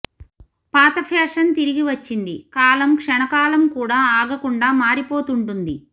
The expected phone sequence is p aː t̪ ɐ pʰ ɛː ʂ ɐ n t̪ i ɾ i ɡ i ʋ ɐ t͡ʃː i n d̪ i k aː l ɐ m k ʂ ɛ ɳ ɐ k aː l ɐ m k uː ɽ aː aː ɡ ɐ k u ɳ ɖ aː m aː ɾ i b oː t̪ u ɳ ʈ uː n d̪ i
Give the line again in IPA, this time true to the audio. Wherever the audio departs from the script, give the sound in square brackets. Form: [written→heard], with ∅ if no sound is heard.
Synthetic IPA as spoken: p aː t̪ ɐ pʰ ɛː ʂ ɐ n t̪ i ɾ i ɡ i ʋ ɐ t͡ʃː i n d̪ i k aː l ɐ m k ʂ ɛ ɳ ɐ k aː l ɐ m k uː ɽ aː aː ɡ ɐ k u ɳ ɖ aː m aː ɾ i [b→p] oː t̪ u ɳ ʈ [uː→u] n d̪ i